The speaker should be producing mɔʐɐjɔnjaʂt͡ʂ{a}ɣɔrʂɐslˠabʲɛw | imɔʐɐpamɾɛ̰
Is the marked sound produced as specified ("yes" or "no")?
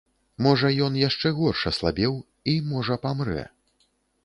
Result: no